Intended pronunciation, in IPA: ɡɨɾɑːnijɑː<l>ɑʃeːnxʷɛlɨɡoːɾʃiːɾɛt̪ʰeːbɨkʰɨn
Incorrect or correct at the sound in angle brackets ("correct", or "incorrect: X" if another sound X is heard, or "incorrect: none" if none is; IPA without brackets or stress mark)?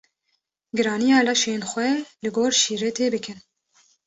correct